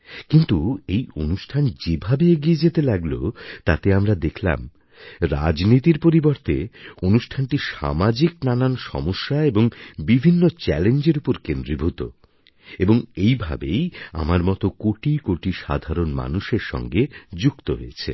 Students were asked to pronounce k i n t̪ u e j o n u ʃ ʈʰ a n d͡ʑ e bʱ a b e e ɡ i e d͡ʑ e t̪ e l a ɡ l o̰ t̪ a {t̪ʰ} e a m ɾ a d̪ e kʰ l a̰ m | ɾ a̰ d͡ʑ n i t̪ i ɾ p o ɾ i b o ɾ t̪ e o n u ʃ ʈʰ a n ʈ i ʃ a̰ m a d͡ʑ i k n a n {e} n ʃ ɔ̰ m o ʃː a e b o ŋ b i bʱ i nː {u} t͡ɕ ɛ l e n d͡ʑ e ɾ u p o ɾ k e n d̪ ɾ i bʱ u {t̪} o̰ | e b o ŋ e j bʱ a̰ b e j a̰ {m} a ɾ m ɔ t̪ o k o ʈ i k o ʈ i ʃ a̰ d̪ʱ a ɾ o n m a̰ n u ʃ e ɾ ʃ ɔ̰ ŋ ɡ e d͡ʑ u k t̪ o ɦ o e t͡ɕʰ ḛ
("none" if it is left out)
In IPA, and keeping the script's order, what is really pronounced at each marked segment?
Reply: t̪, a, o, t̪, m

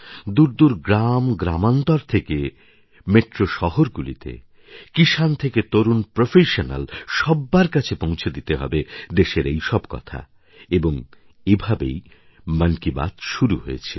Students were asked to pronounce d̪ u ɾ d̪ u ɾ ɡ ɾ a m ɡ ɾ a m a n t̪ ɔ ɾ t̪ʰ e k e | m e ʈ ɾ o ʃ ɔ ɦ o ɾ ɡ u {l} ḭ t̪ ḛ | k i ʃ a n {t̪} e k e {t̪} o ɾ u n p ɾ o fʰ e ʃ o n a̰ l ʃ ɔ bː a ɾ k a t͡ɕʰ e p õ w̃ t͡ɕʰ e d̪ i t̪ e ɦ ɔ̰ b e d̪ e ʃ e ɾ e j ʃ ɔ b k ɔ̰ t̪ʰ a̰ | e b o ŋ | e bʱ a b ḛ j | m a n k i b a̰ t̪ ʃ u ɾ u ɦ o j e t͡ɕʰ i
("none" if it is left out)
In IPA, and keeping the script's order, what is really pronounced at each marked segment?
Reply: l, t̪ʰ, t̪

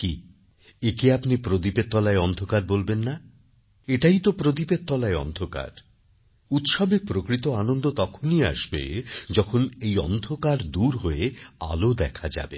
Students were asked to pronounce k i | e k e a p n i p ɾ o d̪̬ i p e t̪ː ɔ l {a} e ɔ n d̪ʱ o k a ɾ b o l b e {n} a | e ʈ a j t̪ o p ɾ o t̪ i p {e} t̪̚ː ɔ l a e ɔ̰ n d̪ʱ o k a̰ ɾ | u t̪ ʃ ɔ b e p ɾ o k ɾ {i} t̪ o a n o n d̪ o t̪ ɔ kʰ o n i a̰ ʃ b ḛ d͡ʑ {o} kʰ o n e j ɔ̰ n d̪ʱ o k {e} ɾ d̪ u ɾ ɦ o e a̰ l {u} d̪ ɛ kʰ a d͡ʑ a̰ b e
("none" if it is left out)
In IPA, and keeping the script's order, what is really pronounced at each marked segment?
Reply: a, nː, e, i, ɔ, a, o

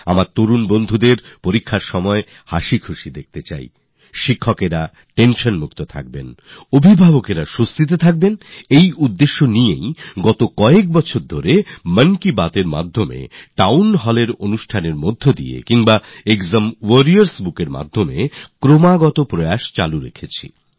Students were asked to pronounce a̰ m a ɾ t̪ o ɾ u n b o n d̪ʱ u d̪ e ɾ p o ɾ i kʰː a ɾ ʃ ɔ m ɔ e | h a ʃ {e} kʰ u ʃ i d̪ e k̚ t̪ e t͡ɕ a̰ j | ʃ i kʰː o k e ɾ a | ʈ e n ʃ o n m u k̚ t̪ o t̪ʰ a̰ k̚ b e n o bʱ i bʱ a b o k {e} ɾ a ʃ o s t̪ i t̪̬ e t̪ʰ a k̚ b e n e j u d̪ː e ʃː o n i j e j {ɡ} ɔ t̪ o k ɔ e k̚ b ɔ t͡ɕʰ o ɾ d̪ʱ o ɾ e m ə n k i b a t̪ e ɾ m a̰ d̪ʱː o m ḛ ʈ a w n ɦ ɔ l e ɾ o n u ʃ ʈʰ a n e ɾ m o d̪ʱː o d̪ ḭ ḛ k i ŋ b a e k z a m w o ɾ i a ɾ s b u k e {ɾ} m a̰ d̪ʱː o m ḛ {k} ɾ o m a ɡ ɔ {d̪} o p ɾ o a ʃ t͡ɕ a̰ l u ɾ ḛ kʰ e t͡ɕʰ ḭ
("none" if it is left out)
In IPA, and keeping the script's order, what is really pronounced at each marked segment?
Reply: i, e, ɡ, ɾ, k, t̪

